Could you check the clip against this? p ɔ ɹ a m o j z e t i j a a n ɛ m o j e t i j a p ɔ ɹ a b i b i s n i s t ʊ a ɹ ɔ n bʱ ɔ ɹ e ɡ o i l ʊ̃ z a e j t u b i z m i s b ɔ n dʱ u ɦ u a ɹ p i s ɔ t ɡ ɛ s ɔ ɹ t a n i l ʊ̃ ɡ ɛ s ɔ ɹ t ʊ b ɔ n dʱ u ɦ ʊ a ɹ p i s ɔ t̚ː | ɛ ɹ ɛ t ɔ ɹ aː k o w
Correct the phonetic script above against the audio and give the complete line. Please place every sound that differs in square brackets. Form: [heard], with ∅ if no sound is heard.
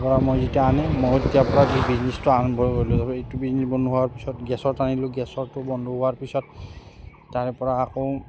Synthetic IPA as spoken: p ɔ ɹ a m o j z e t i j a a n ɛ m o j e t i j a p ɔ ɹ a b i b i [z] n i s t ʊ a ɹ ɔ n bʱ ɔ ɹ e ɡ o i l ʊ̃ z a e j t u b i z [n] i s b ɔ n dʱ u ɦ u a ɹ p i s ɔ t ɡ ɛ s ɔ ɹ t a n i l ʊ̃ ɡ ɛ s ɔ ɹ t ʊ b ɔ n dʱ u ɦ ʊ a ɹ p i s ɔ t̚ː | [a] ɹ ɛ [p] ɔ ɹ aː k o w